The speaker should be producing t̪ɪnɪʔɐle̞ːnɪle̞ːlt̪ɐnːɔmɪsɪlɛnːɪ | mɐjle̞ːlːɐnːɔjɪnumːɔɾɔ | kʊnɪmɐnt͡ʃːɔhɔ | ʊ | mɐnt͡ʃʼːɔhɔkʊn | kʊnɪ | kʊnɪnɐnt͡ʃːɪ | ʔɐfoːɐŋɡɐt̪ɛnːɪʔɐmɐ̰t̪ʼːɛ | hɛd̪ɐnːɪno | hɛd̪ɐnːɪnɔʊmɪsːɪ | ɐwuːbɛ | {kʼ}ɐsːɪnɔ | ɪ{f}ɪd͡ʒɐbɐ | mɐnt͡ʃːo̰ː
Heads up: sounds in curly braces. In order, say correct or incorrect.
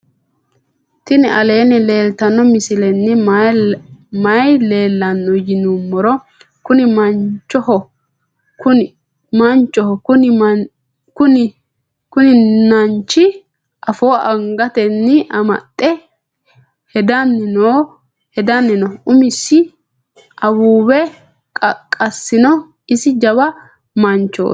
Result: correct, incorrect: s

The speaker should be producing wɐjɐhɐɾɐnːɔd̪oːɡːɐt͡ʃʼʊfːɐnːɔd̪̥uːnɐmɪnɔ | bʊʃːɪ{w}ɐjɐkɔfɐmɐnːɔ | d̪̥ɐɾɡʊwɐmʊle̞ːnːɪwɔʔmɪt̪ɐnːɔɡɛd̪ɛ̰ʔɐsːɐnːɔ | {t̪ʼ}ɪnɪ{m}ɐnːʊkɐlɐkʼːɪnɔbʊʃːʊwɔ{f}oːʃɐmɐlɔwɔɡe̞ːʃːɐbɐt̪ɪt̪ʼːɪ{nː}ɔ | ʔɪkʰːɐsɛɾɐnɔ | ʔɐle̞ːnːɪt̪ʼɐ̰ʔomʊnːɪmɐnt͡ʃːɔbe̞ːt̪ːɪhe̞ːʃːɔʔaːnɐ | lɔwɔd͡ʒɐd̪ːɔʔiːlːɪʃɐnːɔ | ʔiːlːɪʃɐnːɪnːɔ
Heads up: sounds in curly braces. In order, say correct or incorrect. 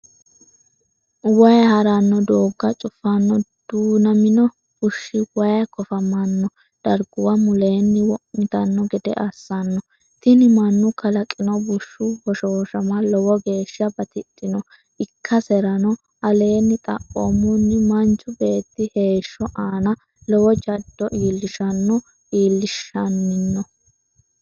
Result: correct, incorrect: t̪, correct, incorrect: ʃ, incorrect: n

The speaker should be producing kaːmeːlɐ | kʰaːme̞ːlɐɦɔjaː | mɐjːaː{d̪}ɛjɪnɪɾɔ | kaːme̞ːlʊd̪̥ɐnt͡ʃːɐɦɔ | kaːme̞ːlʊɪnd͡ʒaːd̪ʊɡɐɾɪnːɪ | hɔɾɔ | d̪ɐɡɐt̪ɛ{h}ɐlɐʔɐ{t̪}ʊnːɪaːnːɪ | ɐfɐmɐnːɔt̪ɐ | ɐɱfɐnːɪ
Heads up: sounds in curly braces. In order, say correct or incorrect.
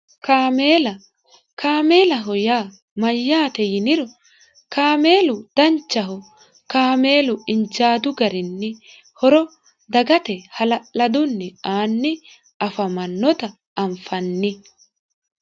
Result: incorrect: t̪, correct, incorrect: d̪

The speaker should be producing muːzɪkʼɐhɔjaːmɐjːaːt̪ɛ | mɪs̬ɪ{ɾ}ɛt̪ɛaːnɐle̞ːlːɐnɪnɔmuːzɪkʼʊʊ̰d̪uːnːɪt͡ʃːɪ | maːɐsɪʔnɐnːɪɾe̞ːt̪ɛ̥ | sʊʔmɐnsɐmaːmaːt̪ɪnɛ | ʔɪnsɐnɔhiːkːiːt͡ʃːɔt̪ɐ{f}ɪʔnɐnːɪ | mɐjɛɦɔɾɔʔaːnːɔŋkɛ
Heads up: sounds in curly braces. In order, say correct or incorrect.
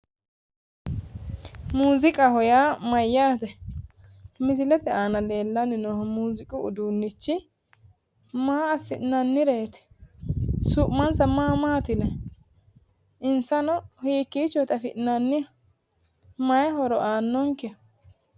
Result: incorrect: l, correct

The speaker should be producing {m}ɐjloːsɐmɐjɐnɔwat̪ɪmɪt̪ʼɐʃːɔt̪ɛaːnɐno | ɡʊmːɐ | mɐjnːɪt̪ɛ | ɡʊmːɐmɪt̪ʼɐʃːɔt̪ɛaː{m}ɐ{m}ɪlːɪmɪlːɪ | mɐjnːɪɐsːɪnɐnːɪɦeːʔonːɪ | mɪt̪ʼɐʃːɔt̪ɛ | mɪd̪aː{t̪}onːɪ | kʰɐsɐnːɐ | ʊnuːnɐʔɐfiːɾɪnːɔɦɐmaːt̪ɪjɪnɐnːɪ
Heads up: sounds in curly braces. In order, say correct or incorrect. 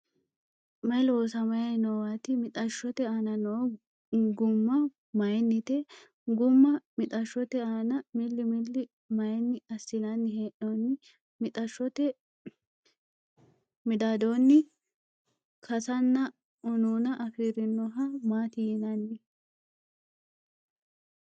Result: correct, incorrect: n, correct, incorrect: d̪

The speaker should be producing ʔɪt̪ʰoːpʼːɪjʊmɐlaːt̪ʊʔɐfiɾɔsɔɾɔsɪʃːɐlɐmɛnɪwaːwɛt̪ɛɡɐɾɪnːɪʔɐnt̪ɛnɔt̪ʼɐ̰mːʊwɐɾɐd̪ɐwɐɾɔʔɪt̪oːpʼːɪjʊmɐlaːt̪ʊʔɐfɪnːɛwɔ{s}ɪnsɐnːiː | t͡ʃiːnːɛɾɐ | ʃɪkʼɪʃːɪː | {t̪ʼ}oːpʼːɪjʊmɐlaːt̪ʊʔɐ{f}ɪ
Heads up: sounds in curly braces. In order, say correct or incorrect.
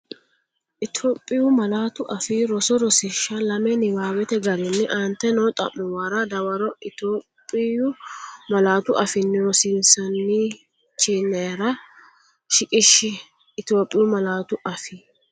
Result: correct, incorrect: t̪, correct

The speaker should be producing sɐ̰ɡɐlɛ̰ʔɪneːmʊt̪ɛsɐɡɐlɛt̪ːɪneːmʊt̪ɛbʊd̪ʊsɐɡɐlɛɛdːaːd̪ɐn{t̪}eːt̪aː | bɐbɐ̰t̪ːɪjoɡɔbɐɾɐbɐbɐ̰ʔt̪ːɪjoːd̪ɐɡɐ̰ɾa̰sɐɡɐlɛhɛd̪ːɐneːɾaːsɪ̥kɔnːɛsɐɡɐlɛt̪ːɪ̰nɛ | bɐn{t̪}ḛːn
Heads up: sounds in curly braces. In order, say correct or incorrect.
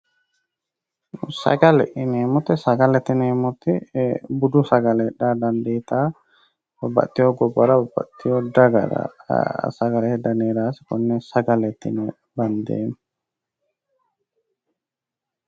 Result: incorrect: d̪, incorrect: d̪

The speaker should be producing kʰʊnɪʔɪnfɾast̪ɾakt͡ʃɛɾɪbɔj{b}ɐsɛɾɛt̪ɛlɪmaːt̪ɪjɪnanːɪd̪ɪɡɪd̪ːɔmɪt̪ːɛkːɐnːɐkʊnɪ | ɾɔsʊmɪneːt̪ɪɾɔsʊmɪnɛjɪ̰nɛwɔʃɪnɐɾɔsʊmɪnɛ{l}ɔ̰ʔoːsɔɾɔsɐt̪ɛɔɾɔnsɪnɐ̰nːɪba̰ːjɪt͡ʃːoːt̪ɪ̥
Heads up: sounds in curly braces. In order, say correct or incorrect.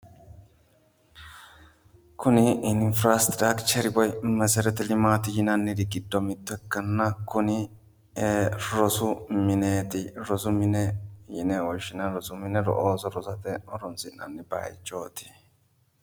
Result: incorrect: m, incorrect: ɾ

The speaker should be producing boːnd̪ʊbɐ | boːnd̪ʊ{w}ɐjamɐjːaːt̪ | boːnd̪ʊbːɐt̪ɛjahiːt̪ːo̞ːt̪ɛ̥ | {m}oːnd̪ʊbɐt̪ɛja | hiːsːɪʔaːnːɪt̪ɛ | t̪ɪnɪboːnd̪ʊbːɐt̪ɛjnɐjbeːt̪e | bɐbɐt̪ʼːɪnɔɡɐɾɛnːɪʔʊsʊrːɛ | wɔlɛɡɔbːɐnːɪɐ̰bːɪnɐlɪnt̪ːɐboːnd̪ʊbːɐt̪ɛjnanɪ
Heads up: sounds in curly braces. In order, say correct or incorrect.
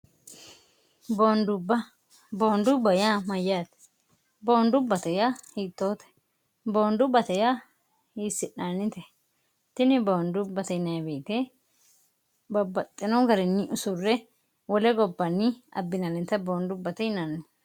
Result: incorrect: b, incorrect: b

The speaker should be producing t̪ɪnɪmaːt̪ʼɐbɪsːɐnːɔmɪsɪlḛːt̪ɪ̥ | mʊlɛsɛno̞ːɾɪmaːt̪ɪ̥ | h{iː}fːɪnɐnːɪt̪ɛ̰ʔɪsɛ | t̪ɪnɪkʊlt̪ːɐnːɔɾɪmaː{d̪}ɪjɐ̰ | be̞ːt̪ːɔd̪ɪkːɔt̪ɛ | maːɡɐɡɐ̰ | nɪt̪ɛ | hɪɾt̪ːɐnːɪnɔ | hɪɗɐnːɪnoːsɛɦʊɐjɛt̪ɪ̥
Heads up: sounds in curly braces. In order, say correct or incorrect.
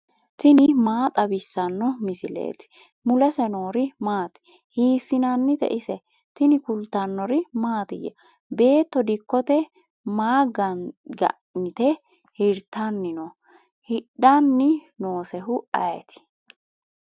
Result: correct, incorrect: t̪

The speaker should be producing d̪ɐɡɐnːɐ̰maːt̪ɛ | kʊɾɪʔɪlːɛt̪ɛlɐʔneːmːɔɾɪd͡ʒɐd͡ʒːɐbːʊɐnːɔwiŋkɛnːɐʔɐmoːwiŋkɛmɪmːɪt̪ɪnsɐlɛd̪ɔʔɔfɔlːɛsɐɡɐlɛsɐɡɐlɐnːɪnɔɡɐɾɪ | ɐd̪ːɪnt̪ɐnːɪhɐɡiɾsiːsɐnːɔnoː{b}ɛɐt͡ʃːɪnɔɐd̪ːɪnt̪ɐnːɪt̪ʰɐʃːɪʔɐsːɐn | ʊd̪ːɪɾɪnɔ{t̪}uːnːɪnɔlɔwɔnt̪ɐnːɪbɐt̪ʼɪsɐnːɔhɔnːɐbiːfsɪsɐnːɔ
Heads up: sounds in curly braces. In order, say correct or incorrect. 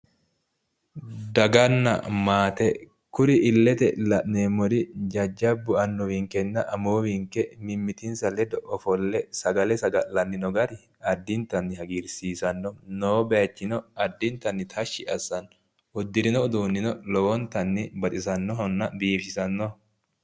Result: correct, incorrect: d̪

